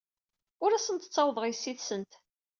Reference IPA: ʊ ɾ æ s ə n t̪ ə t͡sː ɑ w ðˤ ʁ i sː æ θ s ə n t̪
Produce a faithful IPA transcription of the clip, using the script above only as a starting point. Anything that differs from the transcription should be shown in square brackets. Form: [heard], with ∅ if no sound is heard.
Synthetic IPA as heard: ʊ ɾ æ s ə n t̪ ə t͡sː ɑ w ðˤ ʁ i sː [i] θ s ə n t̪